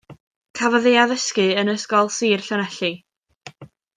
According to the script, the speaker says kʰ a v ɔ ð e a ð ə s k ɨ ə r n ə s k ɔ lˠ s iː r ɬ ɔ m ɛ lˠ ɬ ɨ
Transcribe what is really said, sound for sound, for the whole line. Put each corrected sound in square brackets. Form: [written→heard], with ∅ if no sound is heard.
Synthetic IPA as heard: kʰ a v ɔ ð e a ð ə s k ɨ ə [r→∅] n ə s k ɔ lˠ s iː r ɬ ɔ [m→n] ɛ [lˠ→∅] ɬ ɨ